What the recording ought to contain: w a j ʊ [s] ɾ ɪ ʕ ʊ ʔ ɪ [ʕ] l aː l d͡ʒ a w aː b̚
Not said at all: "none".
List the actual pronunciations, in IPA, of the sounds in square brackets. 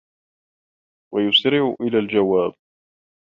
s, none

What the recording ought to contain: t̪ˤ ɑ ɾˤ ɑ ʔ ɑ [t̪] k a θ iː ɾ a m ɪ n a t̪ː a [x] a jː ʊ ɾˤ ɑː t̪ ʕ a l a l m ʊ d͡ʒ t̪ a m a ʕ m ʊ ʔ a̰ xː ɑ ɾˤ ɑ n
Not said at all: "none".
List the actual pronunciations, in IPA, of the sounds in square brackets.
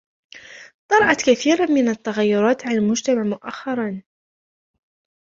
t̪, ɣ

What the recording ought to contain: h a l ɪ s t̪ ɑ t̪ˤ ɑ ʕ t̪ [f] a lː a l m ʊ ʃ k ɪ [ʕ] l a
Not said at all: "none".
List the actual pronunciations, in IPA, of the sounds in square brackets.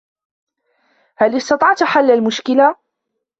ħ, none

